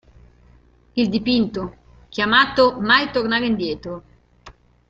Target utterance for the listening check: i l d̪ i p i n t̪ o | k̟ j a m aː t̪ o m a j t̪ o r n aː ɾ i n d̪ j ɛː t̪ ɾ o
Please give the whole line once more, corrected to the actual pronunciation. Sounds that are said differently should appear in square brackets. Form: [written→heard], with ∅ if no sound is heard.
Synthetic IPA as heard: i l d̪ i p i n t̪ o | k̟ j a m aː t̪ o m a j t̪ o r n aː ɾ i n d̪ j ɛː t̪ ɾ o